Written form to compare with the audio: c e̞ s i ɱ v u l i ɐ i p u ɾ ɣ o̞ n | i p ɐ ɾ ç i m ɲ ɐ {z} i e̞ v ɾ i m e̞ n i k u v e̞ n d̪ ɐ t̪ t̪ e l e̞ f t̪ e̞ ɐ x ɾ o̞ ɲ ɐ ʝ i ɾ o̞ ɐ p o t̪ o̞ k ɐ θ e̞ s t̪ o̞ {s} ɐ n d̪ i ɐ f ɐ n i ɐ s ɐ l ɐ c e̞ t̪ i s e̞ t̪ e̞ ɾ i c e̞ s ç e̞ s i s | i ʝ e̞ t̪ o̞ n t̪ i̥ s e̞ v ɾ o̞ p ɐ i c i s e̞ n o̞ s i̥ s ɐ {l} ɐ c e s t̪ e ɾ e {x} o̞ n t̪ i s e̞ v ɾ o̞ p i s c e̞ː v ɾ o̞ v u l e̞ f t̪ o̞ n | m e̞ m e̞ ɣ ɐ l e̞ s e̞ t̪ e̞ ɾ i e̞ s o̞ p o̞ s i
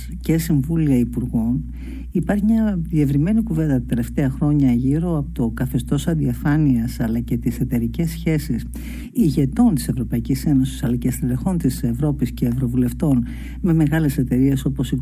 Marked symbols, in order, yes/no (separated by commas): no, yes, yes, yes